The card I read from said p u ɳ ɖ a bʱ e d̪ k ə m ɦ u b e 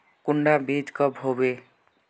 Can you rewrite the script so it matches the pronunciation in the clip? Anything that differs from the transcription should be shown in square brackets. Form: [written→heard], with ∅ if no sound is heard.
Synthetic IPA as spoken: [p→k] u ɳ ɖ a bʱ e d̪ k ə [m→b] ɦ [u→o] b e